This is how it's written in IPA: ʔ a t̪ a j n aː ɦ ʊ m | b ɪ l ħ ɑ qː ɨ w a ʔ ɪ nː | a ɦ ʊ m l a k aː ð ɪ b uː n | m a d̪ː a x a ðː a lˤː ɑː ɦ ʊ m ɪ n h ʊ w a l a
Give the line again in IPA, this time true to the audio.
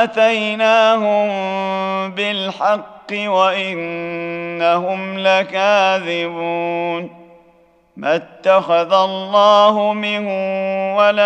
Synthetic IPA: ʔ a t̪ a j n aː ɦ ʊ m | b ɪ l ħ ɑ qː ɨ w a ʔ ɪ nː | a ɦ ʊ m l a k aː ð ɪ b uː n | m a t̪ː a x a ð a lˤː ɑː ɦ ʊ m ɪ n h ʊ w a l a